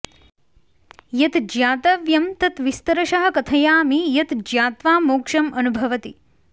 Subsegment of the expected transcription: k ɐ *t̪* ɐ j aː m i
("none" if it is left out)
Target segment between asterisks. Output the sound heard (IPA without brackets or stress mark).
t̪ʰ